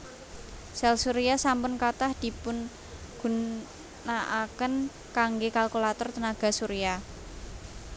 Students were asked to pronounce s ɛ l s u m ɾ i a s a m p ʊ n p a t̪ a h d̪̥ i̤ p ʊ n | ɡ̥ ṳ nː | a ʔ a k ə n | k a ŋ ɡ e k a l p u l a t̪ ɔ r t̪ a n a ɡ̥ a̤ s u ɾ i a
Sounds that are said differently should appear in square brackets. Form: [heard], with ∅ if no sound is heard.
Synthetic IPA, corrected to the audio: s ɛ l s u [∅] ɾ i a s a m p ʊ n [k] a t̪ a h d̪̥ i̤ p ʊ n | ɡ̥ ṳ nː | a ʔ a k ə n | k a ŋ ɡ e k a l [k] u l a t̪ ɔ r t̪ [ə] n a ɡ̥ a̤ s u ɾ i a